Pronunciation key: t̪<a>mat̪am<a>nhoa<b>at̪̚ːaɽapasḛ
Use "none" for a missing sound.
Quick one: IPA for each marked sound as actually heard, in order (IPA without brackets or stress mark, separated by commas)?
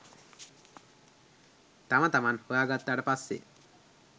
a, a, ɡ